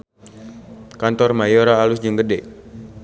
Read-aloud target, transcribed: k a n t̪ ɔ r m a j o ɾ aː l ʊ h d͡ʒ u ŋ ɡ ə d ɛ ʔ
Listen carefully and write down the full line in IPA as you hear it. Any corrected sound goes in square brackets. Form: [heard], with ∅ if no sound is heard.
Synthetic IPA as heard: k a n t̪ ɔ r m a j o ɾ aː l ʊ [s] d͡ʒ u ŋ ɡ ə d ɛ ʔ